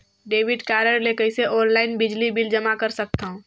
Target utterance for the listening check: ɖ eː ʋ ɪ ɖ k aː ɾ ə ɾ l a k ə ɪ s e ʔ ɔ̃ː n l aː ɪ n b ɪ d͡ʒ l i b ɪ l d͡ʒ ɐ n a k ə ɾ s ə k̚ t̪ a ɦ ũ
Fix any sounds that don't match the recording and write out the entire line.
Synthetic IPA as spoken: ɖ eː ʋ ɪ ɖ k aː ɾ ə ɾ l e k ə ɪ s e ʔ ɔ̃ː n l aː ɪ n b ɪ d͡ʒ l i b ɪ l d͡ʒ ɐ m a k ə ɾ s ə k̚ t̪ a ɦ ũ